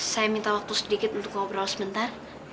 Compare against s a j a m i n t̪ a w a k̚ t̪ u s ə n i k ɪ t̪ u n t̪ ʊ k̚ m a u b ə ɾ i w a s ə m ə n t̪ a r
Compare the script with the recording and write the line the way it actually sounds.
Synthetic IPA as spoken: s a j a m i n t̪ a w a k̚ t̪ u s ə d i k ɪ t̪ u n t̪ ʊ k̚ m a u b ə ɾ a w a s ə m ə n t̪ a r